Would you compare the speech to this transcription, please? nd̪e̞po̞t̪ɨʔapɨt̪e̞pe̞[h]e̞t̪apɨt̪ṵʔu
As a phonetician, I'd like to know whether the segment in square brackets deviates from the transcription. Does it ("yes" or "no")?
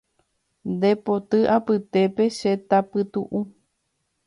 yes